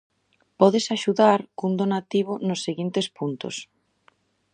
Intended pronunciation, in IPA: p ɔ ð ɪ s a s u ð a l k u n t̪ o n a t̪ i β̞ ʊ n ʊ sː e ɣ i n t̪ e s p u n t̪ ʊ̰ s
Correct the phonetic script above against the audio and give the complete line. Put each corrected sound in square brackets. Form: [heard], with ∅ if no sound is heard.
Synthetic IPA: p ɔ ð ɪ s a [ʃ] u ð a [ɾ] k u n [d̪] o n a t̪ i β̞ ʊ n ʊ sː e ɣ i n t̪ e s p u n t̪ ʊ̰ s